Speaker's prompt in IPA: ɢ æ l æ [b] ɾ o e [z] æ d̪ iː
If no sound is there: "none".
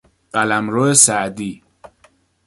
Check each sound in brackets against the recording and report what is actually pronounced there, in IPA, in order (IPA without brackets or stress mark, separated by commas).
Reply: m, s